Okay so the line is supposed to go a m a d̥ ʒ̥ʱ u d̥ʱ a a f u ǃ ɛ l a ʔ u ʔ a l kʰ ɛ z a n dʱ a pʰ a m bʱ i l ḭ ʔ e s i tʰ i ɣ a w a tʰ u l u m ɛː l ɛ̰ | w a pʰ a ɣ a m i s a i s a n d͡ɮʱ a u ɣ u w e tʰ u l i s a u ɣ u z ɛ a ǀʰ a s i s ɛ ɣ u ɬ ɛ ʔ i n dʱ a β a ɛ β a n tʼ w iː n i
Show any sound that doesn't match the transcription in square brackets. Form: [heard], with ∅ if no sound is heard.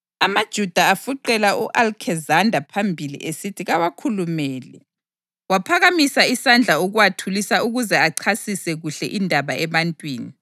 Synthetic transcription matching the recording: a m a d̥ ʒ̥ʱ u d̥ʱ a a f u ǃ ɛ l a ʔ u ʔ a l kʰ ɛ z a n dʱ a pʰ a m bʱ i l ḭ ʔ e s i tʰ i ɣ a w a [kʰ] u l u m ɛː l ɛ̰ | w a pʰ a ɣ a m i s a i s a n d͡ɮʱ a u ɣ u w [a] tʰ u l i s a u ɣ u z ɛ a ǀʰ a s i s ɛ ɣ u ɬ ɛ ʔ i n dʱ a β a ɛ β a n tʼ w iː n i